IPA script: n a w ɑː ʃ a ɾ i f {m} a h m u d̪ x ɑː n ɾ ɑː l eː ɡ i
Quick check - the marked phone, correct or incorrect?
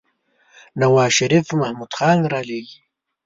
correct